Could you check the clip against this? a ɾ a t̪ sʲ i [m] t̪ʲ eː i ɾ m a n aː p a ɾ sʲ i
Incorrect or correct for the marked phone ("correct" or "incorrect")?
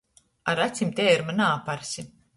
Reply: correct